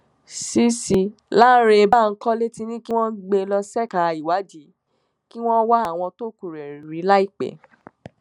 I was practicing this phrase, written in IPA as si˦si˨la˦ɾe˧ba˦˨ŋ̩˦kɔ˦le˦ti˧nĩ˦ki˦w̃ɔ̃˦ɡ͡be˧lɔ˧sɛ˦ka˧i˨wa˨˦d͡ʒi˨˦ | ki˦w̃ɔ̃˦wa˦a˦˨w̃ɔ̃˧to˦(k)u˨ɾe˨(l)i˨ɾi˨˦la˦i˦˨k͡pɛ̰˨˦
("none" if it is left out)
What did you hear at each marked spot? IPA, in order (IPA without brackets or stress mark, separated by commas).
k, ɾ